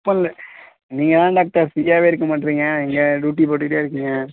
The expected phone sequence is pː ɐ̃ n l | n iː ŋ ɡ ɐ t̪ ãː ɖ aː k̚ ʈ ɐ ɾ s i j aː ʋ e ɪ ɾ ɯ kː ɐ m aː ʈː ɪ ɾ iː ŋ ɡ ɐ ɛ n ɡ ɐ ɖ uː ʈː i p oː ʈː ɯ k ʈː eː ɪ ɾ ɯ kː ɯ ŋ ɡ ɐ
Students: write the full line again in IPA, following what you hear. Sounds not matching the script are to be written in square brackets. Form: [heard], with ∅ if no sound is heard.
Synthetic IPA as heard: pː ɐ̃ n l | n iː ŋ ɡ ɐ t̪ ãː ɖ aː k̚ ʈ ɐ ɾ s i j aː ʋ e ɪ ɾ ɯ kː ɐ m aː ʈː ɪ ɾ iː ŋ ɡ ɐ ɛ [ŋ] ɡ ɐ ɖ uː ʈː i p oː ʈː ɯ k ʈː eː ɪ ɾ ɯ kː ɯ ŋ ɡ ɐ